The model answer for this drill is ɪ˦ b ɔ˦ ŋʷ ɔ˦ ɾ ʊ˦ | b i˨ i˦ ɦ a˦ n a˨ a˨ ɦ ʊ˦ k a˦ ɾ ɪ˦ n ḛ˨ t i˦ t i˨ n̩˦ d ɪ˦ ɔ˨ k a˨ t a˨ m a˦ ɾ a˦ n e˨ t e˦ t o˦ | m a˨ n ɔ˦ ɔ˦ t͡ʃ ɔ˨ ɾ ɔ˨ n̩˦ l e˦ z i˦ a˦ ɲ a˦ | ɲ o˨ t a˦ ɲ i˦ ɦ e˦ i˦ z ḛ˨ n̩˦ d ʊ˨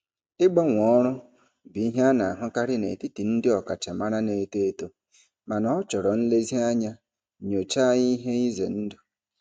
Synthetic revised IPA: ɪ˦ ɡ͡b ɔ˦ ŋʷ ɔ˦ ɾ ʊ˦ | b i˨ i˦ ɦ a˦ n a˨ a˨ ɦ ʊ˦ k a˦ ɾ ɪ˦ n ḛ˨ t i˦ t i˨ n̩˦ d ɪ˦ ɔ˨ k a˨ t͡ʃ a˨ m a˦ ɾ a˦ n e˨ t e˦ t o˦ | m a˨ n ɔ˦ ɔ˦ t͡ʃ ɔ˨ ɾ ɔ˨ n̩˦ l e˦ z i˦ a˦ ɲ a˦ | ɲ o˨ t͡ʃ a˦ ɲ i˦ ɦ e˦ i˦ z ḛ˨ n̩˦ d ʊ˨

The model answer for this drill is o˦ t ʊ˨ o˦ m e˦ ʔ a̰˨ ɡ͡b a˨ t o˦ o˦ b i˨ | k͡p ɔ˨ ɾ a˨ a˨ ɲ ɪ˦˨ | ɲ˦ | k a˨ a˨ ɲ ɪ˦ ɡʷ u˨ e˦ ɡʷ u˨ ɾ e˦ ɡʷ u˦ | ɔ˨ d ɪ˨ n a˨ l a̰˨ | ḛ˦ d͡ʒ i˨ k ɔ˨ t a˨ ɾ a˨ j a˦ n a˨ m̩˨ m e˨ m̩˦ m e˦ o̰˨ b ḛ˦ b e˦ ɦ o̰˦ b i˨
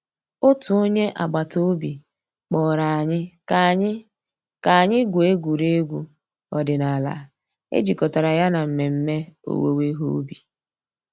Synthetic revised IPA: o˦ t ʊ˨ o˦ ɲ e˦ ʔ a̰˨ ɡ͡b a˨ t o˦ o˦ b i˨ | k͡p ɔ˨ ɾ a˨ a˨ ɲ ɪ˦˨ | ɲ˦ | k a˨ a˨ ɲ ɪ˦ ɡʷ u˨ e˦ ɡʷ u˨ ɾ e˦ ɡʷ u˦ | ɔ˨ d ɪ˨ n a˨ l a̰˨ | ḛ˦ d͡ʒ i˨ k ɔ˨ t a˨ ɾ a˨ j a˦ n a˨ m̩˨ m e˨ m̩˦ m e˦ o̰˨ w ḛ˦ w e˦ ɦ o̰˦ b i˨

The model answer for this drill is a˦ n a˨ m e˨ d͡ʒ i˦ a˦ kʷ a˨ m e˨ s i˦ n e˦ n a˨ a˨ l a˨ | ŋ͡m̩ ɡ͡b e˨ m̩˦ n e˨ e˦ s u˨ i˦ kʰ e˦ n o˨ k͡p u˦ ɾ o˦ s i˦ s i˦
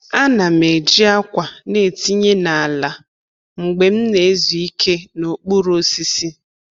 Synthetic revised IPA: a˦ n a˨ m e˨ d͡ʒ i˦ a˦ kʷ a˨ n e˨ t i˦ ɲ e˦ n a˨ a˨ l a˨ | ŋ͡m̩ ɡ͡b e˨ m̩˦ n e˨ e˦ z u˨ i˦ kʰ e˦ n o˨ k͡p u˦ ɾ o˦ s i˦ s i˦

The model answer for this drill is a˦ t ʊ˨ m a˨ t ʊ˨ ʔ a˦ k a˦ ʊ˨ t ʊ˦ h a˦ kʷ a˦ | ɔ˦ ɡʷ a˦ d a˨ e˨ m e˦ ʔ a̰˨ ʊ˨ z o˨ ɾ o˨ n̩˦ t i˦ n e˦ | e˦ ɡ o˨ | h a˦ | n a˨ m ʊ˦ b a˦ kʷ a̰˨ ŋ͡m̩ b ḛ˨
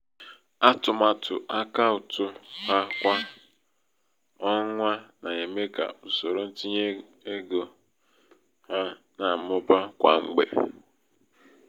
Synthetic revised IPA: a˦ t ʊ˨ m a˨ t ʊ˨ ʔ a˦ k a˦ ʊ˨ t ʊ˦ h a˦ kʷ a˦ | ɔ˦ ŋʷ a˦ n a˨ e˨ m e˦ k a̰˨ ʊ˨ s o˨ ɾ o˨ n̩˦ t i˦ ɲ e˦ | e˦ ɡ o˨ | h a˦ | n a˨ m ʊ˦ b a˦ kʷ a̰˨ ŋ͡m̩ ɡ͡b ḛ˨

